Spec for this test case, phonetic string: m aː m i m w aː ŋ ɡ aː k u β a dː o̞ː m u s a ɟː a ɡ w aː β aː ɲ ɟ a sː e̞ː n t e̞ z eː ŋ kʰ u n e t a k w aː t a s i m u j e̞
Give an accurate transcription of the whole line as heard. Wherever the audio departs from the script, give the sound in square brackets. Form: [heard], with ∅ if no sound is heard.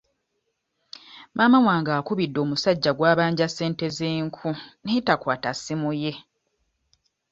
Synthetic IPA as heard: m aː m [a] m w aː ŋ ɡ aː k u β [i] dː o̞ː m u s a ɟː a ɡ w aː β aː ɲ ɟ a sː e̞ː n t e̞ z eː ŋ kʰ u n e t a k w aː t a s i m u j e̞